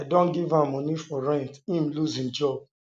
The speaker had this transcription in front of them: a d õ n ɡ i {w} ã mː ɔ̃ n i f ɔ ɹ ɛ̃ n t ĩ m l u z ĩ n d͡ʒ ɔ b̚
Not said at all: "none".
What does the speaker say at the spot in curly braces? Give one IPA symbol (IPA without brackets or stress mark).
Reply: v